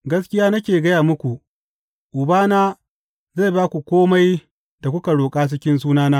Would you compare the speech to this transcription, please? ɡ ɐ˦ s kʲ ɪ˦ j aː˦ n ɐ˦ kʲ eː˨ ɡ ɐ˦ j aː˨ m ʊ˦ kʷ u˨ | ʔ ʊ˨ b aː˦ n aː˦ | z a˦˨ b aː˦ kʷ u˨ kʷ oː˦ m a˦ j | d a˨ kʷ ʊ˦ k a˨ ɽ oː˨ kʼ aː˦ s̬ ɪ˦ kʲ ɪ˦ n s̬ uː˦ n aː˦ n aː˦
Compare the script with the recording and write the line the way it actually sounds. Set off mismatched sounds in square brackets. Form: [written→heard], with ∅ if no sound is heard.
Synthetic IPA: ɡ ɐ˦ s kʲ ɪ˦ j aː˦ n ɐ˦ kʲ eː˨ ɡ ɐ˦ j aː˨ m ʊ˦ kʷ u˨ | ʔ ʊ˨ b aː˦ n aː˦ | z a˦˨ b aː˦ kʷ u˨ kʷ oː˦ m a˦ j | d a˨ kʷ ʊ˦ k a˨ ɽ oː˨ kʼ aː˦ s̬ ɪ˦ kʲ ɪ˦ n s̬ uː˦ n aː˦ n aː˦

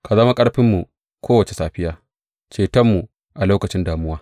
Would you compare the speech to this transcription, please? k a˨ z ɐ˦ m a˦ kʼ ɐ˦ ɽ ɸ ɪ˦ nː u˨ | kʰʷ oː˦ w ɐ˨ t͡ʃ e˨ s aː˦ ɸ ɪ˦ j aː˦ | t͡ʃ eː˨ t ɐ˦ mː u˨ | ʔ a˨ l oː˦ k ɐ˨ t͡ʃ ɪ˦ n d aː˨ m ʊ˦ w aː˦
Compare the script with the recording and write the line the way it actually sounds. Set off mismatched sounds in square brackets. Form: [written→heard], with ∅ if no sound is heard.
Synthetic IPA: k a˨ z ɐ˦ m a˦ kʼ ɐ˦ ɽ ɸ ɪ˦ [nː→mː] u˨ | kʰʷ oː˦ w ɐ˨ t͡ʃ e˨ s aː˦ ɸ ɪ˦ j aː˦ | t͡ʃ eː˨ t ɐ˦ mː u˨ | ʔ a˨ l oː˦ k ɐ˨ t͡ʃ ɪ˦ n d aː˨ m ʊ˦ w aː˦

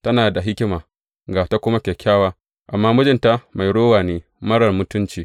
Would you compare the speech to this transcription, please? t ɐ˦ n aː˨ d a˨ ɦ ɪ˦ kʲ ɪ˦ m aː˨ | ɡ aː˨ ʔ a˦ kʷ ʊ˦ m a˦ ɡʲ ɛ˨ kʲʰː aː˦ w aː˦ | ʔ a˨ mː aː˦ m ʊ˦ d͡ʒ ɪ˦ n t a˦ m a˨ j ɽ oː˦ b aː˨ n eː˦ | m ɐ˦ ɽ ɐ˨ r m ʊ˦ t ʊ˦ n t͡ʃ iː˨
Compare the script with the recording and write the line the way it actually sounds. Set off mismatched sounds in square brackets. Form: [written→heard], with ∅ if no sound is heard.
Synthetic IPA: t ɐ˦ n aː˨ d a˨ ɦ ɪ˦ kʲ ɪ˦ m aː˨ | ɡ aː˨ [ʔ→t] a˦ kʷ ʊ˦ m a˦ [ɡʲ→kʲ] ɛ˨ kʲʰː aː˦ w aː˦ | ʔ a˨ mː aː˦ m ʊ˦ d͡ʒ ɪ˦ n t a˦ m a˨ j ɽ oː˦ [b→w] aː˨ n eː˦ | m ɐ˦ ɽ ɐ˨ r m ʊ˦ t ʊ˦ n t͡ʃ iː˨

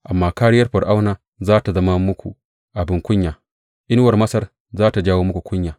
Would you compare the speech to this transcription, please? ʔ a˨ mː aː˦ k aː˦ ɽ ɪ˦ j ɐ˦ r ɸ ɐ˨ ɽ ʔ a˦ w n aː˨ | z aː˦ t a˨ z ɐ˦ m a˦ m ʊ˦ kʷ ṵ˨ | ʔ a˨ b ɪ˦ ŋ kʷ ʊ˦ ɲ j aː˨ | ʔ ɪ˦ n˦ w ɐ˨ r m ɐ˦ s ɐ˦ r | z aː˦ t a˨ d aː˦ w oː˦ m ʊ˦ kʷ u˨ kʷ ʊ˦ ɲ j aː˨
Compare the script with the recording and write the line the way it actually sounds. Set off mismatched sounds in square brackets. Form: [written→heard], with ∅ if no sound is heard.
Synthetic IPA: ʔ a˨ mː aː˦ k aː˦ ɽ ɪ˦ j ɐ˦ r ɸ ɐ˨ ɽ ʔ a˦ w n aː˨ | z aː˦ t a˨ z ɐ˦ m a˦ m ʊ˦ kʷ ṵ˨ | ʔ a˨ b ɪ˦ ŋ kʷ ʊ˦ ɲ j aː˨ | ʔ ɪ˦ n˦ w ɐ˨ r m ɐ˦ s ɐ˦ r | z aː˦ t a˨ [d→d͡ʒ] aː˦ w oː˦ m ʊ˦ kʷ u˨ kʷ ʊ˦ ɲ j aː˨

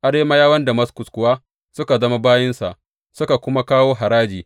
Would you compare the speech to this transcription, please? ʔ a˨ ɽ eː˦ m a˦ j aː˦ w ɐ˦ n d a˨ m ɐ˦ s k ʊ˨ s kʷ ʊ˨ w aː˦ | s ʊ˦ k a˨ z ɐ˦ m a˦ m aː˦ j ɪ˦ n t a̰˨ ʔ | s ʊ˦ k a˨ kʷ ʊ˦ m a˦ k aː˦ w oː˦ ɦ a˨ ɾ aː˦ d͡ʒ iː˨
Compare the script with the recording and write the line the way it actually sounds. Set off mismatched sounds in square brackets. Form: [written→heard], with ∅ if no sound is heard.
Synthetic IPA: ʔ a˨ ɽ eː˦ m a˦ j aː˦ w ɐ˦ n d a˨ m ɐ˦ s k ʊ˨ s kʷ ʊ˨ w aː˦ | s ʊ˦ k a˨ z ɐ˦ m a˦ [m→b] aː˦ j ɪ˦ n [t→s] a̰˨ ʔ | s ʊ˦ k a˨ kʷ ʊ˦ m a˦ k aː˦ w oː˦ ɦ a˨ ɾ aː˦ d͡ʒ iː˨

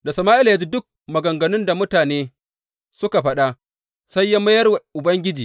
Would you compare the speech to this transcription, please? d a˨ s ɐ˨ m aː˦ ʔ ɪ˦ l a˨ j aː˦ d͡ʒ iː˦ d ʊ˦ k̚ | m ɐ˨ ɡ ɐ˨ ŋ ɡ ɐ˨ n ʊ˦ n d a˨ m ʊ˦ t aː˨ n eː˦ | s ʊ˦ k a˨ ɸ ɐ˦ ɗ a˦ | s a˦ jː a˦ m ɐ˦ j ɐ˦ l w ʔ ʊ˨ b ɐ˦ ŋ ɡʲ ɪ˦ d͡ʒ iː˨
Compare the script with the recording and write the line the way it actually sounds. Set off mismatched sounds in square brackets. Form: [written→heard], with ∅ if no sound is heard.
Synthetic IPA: d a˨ s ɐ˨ m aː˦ ʔ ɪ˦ l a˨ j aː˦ d͡ʒ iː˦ d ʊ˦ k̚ | m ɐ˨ ɡ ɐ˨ ŋ ɡ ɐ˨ n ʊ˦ n d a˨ m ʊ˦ t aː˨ n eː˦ | s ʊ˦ k a˨ ɸ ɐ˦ ɗ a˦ | s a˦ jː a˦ m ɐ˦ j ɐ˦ [l→r] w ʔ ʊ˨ b ɐ˦ ŋ ɡʲ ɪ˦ d͡ʒ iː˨

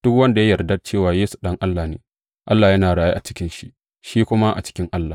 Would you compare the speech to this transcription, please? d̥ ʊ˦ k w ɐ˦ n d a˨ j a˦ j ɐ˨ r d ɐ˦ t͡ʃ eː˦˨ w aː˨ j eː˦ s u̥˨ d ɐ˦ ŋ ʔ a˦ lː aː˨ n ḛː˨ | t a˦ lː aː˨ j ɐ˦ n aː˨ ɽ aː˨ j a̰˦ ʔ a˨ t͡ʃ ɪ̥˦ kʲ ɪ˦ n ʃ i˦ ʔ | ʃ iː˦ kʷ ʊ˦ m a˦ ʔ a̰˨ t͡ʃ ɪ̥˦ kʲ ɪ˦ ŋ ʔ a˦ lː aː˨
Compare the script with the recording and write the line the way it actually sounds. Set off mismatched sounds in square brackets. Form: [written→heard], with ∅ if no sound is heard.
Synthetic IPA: d̥ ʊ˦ k w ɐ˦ n d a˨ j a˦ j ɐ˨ r d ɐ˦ t͡ʃ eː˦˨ w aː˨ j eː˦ s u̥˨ [d→ɗ] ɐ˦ ŋ ʔ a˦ lː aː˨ n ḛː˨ | [t→ʔ] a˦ lː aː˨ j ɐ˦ n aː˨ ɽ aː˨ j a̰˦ ʔ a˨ t͡ʃ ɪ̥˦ kʲ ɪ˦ n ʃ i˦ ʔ | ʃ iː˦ kʷ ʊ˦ m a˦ ʔ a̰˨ t͡ʃ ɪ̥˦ kʲ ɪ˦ ŋ ʔ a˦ lː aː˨

